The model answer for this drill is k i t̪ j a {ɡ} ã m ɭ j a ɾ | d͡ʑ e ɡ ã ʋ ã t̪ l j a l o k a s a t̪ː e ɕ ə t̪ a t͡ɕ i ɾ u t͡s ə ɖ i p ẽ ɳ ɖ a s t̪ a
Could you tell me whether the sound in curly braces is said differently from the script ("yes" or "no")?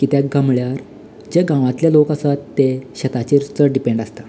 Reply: no